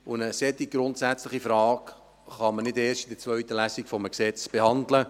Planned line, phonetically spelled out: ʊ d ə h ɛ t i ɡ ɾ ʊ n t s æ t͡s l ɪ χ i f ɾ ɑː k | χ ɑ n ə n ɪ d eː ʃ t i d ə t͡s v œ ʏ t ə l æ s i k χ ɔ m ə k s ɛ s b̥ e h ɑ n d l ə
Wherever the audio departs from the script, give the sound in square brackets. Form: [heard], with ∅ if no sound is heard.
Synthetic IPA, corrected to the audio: ʊ [n] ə [s] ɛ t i ɡ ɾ ʊ n t s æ t͡s l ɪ χ i f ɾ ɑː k | χ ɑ [m] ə n ɪ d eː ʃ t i d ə t͡s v œ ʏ t ə l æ s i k [f] ɔ m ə k s ɛ [t͡s] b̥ e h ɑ n d l ə

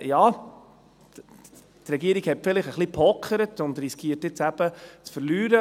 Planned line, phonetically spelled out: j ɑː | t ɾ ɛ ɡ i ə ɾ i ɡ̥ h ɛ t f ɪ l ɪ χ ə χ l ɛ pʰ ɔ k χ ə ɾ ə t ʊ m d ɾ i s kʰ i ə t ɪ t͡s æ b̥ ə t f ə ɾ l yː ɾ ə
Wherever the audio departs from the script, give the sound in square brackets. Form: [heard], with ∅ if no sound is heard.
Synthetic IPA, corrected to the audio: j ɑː | t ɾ ɛ ɡ i ə ɾ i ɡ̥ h ɛ t f ɪ l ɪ χ ə χ l [i] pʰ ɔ k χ ə ɾ ə t ʊ [n] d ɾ i s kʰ i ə t ɪ t͡s æ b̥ ə [t͡s] f ə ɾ l yː ɾ ə

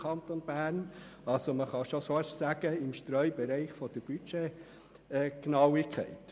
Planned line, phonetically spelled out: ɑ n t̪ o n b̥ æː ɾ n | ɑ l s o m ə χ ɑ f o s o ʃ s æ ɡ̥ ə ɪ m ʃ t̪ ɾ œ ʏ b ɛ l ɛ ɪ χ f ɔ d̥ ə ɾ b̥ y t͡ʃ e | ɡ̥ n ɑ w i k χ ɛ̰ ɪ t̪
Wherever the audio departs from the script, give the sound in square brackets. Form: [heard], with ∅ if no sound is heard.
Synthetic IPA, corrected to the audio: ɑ n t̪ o n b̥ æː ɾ n | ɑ l s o m ə χ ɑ [ʃ] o s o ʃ s æ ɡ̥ ə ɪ m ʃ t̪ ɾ œ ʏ b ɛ [ɾ] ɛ ɪ χ f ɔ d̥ ə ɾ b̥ y t͡ʃ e | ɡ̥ n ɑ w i k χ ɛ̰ ɪ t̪

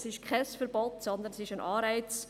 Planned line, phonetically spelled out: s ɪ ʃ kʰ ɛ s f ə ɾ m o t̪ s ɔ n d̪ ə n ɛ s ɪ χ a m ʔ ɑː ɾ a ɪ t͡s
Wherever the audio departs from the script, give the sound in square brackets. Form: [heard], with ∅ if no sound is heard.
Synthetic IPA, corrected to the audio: s ɪ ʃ kʰ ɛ s f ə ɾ [b] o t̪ s ɔ n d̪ ə n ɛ s ɪ [ʃ] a [n] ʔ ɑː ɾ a ɪ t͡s

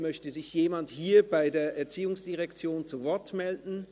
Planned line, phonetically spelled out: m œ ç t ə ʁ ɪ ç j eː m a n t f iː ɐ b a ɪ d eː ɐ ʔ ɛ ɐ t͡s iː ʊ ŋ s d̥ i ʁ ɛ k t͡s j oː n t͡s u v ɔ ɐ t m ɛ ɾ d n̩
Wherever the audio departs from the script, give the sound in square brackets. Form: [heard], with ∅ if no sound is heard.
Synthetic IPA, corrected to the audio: m œ ç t ə [z] ɪ ç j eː m a n t [h] iː ɐ b a ɪ d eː ɐ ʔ ɛ ɐ t͡s iː ʊ ŋ s d̥ i ʁ ɛ k t͡s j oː n t͡s u v ɔ ɐ t m ɛ [l] d n̩

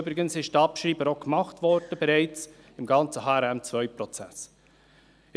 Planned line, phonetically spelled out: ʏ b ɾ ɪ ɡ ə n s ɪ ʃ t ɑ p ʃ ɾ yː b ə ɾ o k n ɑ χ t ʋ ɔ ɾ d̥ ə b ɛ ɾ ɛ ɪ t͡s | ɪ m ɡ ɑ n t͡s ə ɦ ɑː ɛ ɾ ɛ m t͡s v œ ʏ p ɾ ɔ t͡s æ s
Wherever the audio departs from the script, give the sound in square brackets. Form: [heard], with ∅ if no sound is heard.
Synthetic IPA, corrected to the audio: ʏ b ɾ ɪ ɡ ə n s ɪ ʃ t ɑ p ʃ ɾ [iː] b ə ɾ o k [m] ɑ χ t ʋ ɔ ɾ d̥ ə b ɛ ɾ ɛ ɪ t͡s | ɪ m ɡ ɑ n t͡s ə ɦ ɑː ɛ ɾ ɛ m t͡s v œ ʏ p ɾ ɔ t͡s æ s

